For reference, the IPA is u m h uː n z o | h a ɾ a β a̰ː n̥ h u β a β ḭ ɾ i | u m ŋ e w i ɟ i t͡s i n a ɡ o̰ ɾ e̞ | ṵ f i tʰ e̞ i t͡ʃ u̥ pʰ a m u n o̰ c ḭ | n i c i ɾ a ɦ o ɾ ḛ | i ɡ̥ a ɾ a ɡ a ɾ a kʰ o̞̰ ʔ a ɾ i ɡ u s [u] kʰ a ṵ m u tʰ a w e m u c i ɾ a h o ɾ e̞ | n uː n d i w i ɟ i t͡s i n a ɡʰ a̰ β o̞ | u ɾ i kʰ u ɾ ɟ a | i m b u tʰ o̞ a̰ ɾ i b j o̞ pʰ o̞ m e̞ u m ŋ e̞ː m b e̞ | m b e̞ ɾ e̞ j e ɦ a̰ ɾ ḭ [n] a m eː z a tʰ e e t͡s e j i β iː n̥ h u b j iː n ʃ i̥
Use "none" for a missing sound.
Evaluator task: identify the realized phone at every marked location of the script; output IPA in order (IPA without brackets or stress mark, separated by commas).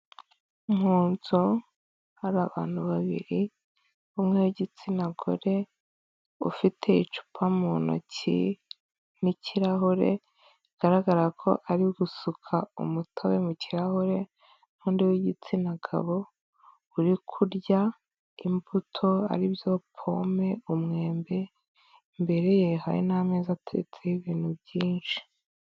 u, n